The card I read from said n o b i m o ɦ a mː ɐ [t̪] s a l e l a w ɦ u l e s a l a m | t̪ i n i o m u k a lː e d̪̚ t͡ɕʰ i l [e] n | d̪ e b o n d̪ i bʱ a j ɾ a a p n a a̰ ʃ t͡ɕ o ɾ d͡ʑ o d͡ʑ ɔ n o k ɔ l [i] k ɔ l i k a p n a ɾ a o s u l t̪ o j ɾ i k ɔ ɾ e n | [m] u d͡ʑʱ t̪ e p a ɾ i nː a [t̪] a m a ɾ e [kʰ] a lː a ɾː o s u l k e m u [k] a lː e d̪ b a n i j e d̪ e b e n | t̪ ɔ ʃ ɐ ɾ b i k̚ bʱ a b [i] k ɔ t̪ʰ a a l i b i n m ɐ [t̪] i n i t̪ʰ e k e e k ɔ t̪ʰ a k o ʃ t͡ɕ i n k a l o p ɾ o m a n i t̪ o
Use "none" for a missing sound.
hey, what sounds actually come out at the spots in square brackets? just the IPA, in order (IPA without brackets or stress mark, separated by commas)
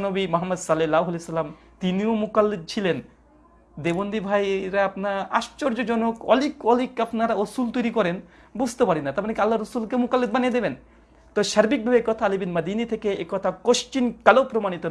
d̪, e, i, b, t̪, k, k, e, d̪